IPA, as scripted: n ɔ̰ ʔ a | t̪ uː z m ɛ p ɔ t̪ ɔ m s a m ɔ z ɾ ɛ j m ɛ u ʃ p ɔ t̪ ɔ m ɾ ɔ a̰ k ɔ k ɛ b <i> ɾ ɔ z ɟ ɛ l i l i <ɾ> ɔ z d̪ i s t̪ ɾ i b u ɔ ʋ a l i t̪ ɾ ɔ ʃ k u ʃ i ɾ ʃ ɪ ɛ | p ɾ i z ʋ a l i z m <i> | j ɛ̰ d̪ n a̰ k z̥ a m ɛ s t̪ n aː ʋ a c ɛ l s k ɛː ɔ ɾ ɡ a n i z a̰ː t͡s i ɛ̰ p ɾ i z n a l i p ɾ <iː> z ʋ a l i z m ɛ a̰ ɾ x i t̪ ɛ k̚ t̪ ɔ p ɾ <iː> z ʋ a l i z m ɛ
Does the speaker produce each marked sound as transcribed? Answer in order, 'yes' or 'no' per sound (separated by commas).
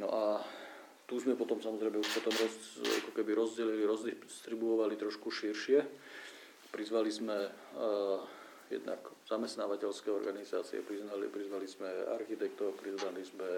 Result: yes, yes, no, no, no